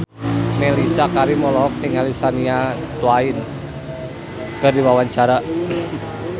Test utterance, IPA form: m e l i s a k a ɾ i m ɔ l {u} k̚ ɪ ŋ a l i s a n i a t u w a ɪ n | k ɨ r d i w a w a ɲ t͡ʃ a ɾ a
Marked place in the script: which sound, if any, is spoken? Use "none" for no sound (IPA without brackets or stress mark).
ɔ